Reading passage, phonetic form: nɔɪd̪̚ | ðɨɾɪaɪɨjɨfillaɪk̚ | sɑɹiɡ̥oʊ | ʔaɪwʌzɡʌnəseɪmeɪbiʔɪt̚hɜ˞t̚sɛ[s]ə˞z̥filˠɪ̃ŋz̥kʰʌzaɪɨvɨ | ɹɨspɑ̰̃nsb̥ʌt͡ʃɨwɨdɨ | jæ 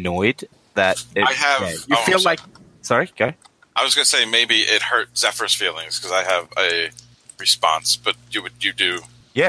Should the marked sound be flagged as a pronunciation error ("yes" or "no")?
yes